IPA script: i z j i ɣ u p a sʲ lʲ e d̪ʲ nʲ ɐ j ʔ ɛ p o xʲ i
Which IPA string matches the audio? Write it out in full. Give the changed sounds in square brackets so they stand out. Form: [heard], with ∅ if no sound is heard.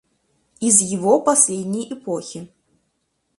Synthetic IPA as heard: i z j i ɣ [ɔ] p a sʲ lʲ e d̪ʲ nʲ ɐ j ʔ ɛ p [ɔ] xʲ i